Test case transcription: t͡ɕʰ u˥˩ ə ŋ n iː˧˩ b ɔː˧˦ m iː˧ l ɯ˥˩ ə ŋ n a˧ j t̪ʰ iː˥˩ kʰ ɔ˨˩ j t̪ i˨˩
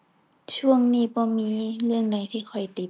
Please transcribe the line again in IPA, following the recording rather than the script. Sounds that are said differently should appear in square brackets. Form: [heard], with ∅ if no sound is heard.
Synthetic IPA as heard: t͡ɕʰ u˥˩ ə ŋ n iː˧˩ b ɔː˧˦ m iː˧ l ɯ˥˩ ə ŋ [d] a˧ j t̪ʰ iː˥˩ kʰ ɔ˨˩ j t̪ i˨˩